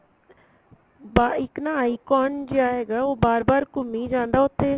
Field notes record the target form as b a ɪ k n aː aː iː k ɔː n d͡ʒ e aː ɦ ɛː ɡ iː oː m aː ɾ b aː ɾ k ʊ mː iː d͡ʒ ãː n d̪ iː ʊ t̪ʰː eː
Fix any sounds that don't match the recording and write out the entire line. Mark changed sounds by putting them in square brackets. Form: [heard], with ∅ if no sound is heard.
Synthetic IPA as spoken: b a ɪ k n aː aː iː k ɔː n d͡ʒ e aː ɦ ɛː ɡ [aː] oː [b] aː ɾ b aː ɾ k ʊ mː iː d͡ʒ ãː n d̪ [aː] ʊ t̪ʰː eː